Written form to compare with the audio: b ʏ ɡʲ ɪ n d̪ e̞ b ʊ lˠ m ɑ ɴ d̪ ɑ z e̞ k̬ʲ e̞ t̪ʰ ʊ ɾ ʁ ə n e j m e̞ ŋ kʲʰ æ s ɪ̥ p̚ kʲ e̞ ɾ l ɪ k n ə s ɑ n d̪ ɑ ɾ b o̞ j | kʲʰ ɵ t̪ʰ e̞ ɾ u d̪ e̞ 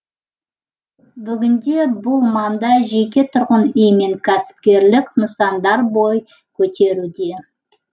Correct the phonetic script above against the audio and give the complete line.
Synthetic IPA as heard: b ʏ ɡʲ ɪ n d̪ e̞ b ʊ lˠ m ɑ n d̪ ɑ ʒ e̞ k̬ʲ e̞ t̪ʰ ʊ ɾ ʁ ə n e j m e̞ ŋ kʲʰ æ s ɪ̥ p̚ kʲ e̞ ɾ l ɪ k n ə s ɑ n d̪ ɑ ɾ b o̞ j | kʲʰ ɵ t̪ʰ e̞ ɾ u d̪ e̞

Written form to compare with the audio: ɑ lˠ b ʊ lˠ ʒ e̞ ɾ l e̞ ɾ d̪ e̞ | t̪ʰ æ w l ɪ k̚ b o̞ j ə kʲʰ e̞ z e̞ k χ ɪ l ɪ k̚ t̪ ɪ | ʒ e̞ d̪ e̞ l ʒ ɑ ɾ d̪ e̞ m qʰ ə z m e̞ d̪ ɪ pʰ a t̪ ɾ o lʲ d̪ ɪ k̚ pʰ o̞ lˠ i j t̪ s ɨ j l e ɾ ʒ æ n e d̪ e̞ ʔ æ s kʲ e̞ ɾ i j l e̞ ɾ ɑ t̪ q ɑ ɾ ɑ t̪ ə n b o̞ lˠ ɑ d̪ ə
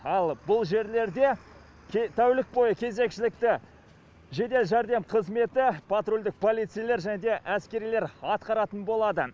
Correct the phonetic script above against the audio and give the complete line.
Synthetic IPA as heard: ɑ lˠ b ʊ lˠ ʒ e̞ ɾ l e̞ ɾ d̪ e̞ | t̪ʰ æ w l ɪ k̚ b o̞ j ə kʲʰ e̞ z e̞ k ʃ ɪ l ɪ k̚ t̪ ɪ | ʒ e̞ d̪ e̞ l ʒ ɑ ɾ d̪ e̞ m qʰ ə z m e̞ t̪ ɪ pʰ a t̪ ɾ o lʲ d̪ ɪ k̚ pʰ o̞ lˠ i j t̪ s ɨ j l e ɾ ʒ æ n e d̪ e̞ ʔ æ s kʲ e̞ ɾ i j l e̞ ɾ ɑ t̪ q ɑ ɾ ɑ t̪ ə n b o̞ lˠ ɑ d̪ ə

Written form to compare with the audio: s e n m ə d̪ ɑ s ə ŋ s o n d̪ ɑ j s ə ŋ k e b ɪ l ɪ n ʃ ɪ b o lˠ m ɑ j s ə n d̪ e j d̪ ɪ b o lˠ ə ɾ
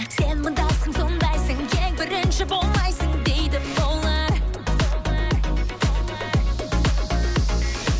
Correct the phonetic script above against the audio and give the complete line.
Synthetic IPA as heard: s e n m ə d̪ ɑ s ə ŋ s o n d̪ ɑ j s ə ŋ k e b ɪ ɾ ɪ n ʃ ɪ b o lˠ m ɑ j s ə ŋ d̪ e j d̪ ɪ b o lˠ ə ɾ

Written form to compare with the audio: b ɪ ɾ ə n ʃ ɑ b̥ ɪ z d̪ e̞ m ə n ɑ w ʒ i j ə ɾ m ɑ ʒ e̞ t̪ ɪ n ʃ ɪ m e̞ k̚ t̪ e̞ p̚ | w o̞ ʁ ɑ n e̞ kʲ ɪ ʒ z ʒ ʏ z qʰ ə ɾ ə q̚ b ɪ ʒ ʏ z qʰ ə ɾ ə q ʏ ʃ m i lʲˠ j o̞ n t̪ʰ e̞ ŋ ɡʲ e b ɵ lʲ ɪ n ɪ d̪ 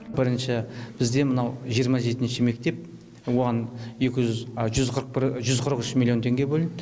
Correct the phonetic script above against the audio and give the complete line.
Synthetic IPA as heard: b ɪ ɾ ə n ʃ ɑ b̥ ɪ z d̪ e̞ m ə n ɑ w ʒ i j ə ɾ m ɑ ʒ e̞ t̪ ɪ n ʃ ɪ m e̞ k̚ t̪ e̞ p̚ | w o̞ ʁ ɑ n e̞ kʲ ɪ ʒ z ʒ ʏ z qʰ ə ɾ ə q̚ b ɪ ʒ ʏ z qʰ ə ɾ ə q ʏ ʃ m i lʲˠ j o̞ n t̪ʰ e̞ ŋ ɡʲ e b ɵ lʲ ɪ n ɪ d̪

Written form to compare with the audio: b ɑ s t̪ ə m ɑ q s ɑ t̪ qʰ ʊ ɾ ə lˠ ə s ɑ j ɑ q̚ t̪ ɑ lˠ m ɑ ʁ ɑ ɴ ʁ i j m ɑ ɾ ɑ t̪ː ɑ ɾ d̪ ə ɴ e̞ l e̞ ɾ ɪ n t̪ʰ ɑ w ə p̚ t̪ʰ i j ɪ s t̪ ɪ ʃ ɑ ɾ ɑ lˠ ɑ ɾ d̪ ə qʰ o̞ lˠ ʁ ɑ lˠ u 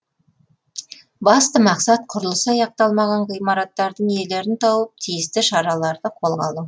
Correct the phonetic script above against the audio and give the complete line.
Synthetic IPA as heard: b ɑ s t̪ ə m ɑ q s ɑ t̪ qʰ ʊ ɾ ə lˠ ə s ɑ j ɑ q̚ t̪ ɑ lˠ m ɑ ʁ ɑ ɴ ʁ i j m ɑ ɾ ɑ t̪ː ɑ ɾ d̪ ə ɴ e̞ l e̞ ɾ ɪ n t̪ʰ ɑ w ə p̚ t̪ʰ i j ɪ s t̪ ɪ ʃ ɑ ɾ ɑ lˠ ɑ ɾ d̪ ə qʰ o̞ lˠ ʁ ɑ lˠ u

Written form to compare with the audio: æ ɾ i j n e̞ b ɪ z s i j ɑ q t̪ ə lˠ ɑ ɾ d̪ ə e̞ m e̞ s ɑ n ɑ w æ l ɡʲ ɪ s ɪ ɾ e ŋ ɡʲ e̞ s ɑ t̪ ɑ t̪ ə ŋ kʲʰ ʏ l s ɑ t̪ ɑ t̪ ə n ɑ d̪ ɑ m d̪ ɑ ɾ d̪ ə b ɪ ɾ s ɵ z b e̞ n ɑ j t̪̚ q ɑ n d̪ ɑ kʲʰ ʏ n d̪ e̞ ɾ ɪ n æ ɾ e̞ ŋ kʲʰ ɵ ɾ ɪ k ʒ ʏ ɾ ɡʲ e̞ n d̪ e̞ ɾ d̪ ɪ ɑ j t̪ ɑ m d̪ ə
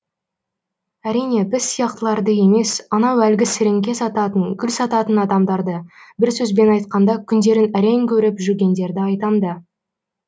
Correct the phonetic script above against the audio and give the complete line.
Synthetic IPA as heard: æ ɾ i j n e̞ b ɪ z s i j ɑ q t̪ ə lˠ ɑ ɾ d̪ ə e̞ m e̞ s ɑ n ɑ w æ l ɡʲ ɪ s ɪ ɾ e ŋ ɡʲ e̞ s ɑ t̪ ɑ t̪ ə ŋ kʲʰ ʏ l s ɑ t̪ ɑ t̪ ə n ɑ d̪ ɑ m d̪ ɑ ɾ d̪ ə b ɪ ɾ s ɵ z b e̞ n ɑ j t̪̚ q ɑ n d̪ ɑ kʲʰ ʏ n d̪ e̞ ɾ ɪ n æ ɾ e̞ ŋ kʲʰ ɵ ɾ ɪ p ʒ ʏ ɾ ɡʲ e̞ n d̪ e̞ ɾ d̪ ɪ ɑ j t̪ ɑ m d̪ ə

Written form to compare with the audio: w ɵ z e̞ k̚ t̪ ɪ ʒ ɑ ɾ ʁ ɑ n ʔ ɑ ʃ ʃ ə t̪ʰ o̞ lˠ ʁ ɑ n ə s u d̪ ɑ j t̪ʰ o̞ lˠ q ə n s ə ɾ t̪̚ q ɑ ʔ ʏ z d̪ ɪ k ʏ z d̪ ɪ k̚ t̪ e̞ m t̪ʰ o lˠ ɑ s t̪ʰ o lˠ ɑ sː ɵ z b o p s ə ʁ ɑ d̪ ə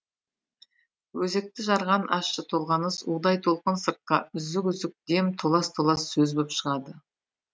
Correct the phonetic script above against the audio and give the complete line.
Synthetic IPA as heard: w ɵ z e̞ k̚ t̪ ɪ ʒ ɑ ɾ ʁ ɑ n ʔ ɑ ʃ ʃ ə t̪ʰ o̞ lˠ ʁ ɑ n ə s u d̪ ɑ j t̪ʰ o̞ lˠ q ə n s ə ɾ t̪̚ q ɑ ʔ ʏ z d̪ ɪ k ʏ z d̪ ɪ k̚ d̪ e̞ m t̪ʰ o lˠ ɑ s t̪ʰ o lˠ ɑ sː ɵ z b o p ʃ ə ʁ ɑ d̪ ə

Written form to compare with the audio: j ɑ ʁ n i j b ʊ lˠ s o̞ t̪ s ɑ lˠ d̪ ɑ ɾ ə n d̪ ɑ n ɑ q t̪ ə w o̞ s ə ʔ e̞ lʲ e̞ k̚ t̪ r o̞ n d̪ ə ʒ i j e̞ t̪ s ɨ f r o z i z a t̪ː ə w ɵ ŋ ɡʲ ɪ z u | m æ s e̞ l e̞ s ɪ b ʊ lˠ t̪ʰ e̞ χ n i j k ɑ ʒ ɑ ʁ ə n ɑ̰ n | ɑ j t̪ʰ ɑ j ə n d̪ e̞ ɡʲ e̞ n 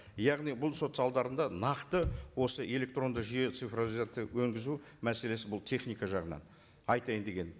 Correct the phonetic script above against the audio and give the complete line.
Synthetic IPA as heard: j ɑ ʁ n i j b ʊ lˠ s o̞ t̪ s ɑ lˠ d̪ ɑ ɾ ə n d̪ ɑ n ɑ q t̪ ə w o̞ s ə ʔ e̞ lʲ e̞ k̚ t̪ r o̞ n d̪ ə ʒ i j e̞ t̪ s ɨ f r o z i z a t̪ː ə w ɵ ŋ ɡʲ ɪ z u | m æ s e̞ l e̞ s ɪ b ʊ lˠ t̪ʰ e̞ χ n i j k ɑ ʒ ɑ ʁ ə n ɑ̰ n | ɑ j t̪ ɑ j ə n d̪ e̞ ɡʲ e̞ n

